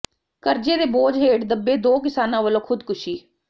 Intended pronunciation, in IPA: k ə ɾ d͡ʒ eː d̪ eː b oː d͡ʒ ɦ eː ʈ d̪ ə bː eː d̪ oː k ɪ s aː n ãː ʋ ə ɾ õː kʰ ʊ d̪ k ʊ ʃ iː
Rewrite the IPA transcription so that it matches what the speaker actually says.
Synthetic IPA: k ə ɾ d͡ʒ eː d̪ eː b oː d͡ʒ ɦ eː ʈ d̪ ə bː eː d̪ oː k ɪ s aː n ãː ʋ ə l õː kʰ ʊ d̪ k ʊ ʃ iː